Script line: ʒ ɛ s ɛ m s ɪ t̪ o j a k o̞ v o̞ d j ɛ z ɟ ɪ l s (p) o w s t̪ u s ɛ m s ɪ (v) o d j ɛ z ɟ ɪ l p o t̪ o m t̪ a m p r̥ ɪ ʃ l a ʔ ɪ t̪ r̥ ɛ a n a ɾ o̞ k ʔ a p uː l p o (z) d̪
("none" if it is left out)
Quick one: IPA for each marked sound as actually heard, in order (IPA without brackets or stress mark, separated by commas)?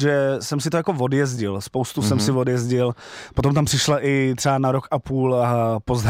p, v, z